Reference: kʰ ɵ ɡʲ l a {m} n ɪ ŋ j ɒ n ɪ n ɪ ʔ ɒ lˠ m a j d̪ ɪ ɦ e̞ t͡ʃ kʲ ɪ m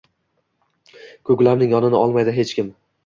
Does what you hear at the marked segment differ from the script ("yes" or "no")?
no